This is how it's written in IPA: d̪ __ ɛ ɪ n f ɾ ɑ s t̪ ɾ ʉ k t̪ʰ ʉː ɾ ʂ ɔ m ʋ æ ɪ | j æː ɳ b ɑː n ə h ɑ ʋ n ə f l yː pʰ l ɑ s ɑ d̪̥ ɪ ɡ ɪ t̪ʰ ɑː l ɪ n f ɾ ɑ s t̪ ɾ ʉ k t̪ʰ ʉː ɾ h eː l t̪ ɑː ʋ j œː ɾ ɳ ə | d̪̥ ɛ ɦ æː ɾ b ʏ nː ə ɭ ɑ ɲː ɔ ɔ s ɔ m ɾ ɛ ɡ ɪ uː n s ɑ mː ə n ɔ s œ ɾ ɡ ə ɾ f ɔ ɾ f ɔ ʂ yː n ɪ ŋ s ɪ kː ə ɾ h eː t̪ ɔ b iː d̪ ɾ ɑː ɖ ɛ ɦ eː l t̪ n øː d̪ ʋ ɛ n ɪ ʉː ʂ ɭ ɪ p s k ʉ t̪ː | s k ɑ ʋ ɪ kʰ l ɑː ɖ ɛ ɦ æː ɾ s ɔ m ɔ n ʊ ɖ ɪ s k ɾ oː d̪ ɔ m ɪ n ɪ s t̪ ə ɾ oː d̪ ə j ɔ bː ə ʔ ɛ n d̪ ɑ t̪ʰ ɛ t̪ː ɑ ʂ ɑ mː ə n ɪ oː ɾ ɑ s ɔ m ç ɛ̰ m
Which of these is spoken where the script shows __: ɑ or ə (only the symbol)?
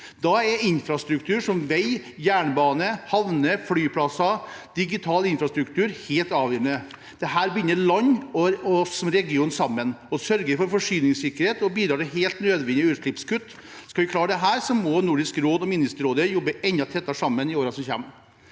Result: ɑ